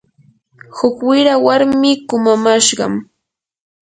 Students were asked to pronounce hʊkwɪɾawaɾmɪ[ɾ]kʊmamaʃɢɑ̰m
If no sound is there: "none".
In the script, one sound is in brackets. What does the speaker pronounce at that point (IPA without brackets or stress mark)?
none